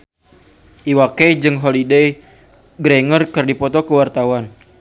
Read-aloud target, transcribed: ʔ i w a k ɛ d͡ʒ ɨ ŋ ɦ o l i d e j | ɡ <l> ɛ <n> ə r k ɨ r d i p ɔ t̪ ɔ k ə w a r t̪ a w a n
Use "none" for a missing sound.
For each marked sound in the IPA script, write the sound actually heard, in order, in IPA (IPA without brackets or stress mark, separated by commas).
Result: ɾ, ŋ